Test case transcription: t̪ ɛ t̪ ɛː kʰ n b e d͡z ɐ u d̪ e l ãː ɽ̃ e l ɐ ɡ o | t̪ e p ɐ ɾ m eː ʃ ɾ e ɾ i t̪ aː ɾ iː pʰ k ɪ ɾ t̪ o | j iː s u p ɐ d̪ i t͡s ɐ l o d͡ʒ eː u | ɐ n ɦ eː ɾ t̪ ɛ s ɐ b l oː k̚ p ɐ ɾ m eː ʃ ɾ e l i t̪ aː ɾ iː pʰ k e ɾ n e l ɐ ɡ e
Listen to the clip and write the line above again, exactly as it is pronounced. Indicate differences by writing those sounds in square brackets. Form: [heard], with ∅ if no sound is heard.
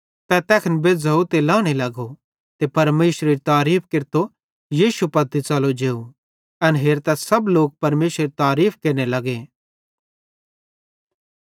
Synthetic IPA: t̪ ɛ t̪ ɛː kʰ n b e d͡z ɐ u [t̪] e l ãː ɽ̃ e l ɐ ɡ o | t̪ e p ɐ ɾ m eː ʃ ɾ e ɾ i t̪ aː ɾ iː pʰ k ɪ ɾ t̪ o | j iː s u p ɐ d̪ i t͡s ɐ l o d͡ʒ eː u | ɐ n ɦ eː ɾ t̪ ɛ s ɐ b l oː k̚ p ɐ ɾ m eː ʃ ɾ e [ɾ] i t̪ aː ɾ iː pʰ k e ɾ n e l ɐ ɡ e